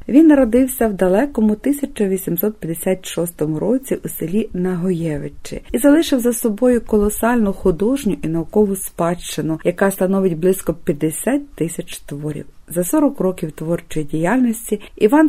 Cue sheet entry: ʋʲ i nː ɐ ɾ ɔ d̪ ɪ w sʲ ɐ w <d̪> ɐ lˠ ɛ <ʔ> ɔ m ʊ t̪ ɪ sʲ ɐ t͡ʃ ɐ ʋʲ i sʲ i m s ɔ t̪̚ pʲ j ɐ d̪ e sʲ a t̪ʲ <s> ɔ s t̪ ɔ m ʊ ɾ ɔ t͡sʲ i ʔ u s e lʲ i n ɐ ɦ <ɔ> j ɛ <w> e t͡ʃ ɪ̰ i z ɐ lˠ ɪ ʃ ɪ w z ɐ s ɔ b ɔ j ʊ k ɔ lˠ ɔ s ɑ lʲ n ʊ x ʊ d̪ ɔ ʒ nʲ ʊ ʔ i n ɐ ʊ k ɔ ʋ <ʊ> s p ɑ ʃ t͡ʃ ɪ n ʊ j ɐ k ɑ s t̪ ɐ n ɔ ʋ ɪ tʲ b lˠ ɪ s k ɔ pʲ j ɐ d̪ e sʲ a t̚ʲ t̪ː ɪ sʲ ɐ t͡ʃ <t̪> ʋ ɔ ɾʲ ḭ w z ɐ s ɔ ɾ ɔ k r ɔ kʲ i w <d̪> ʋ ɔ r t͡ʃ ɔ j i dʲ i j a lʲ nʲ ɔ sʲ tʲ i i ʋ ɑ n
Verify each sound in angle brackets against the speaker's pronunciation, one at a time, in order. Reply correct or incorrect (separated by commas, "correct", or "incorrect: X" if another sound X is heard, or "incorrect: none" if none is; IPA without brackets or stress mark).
correct, incorrect: k, incorrect: ʃ, correct, incorrect: ʋ, correct, correct, incorrect: t̪